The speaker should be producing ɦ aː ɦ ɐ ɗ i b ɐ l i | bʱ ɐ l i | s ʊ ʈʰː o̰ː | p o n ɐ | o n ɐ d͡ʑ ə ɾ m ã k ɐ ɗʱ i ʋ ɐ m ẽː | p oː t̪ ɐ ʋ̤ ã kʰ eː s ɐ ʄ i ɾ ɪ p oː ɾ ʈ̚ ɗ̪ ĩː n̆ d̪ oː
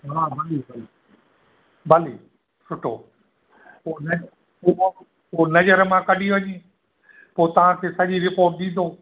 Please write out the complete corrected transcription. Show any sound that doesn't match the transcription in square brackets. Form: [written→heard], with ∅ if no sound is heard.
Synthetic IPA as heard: ɦ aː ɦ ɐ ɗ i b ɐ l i | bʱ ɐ l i | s ʊ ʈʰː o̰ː | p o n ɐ | o n ɐ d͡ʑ ə ɾ m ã k ɐ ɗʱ i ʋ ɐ [m→ɲ] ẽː | p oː t̪ ɐ ʋ̤ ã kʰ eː s ɐ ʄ i ɾ ɪ p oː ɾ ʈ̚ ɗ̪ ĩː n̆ d̪ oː